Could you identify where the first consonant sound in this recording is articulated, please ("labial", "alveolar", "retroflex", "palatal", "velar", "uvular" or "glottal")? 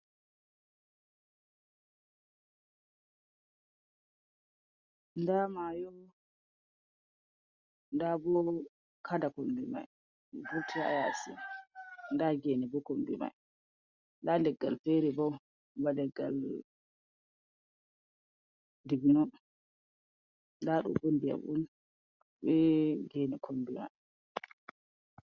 alveolar